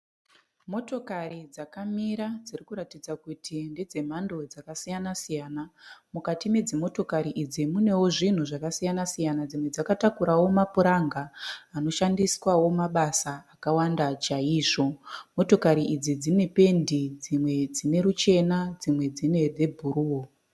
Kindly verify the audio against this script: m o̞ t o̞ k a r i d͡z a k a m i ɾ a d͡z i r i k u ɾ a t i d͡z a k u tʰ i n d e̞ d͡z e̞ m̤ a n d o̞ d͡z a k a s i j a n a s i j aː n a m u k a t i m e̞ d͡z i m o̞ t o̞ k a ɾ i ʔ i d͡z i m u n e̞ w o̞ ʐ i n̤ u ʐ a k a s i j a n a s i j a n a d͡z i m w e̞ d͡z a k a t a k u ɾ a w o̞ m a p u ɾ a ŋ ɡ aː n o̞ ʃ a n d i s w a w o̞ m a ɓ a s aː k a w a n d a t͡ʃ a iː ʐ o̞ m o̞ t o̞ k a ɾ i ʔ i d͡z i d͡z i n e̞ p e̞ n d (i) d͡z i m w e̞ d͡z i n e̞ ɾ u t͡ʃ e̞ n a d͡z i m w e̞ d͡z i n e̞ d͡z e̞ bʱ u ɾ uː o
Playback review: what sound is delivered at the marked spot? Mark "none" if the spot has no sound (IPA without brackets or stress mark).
i